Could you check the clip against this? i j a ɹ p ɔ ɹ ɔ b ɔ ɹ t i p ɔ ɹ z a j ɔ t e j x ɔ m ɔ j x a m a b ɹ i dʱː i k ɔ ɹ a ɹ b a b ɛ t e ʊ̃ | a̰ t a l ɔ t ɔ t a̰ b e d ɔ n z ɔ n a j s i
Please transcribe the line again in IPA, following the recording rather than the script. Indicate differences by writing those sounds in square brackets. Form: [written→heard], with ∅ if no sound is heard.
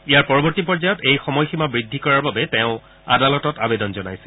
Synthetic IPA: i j a ɹ p ɔ ɹ ɔ b ɔ ɹ t i p ɔ ɹ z a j ɔ t e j x ɔ m ɔ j x [a→i] m a b ɹ i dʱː i k ɔ ɹ a ɹ b a b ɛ t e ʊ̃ | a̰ [t→d] a l ɔ t ɔ t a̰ b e d ɔ n z ɔ n a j s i